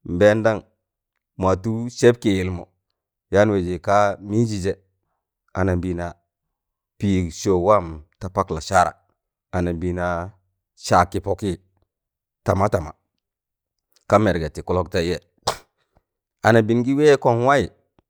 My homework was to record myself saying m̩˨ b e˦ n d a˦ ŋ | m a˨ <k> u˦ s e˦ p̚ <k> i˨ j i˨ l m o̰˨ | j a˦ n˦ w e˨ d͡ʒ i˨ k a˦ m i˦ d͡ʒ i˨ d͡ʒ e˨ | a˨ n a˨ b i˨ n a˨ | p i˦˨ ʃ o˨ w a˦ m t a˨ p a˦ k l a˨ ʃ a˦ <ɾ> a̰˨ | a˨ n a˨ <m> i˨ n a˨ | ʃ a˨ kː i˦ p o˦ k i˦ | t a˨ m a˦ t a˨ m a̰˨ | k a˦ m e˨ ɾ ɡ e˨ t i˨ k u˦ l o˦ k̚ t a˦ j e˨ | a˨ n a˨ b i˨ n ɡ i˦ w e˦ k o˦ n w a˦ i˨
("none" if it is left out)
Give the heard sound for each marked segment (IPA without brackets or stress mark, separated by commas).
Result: t, k, ɾ, b